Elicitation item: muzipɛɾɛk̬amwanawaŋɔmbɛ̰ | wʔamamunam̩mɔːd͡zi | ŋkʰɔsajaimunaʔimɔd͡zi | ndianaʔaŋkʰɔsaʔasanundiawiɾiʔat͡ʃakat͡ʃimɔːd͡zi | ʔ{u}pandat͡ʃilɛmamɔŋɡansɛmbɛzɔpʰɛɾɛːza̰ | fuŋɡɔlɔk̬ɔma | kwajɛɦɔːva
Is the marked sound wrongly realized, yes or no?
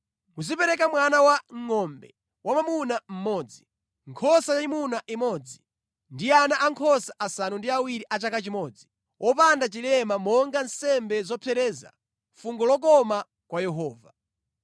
yes